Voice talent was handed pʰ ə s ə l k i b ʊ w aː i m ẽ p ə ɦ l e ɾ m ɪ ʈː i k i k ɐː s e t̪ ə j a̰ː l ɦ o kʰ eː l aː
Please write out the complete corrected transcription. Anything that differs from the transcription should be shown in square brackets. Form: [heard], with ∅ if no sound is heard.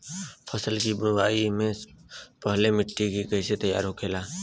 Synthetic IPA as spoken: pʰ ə s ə l k i b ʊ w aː i m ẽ p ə ɦ l e [∅] m ɪ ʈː i k i k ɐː s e t̪ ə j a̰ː [ɾ] ɦ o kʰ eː l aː